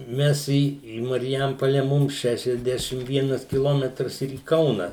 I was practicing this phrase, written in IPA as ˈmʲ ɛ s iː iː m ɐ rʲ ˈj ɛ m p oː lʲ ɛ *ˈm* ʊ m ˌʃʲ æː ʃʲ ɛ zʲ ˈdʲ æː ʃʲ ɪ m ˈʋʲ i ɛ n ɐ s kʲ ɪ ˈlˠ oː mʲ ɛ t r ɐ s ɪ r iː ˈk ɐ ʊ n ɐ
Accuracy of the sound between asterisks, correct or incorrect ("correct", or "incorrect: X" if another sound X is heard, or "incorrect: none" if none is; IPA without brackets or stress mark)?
correct